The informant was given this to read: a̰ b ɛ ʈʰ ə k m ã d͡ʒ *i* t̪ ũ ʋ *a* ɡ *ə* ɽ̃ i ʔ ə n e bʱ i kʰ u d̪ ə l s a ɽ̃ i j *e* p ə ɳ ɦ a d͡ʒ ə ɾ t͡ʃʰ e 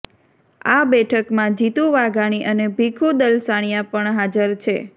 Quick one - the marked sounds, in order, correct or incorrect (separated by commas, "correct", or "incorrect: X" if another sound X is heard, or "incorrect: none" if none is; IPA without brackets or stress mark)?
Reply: correct, correct, incorrect: a, incorrect: a